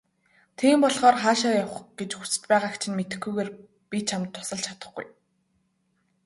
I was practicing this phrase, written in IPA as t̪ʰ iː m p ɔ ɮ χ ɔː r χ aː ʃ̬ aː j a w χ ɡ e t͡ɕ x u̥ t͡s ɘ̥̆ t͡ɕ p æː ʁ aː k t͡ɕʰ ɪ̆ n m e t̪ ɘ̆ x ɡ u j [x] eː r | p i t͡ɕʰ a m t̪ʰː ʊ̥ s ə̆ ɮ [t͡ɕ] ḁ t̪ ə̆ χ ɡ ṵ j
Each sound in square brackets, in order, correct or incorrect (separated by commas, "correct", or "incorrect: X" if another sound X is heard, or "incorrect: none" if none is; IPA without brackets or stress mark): incorrect: ɣ, incorrect: t͡ɕʰ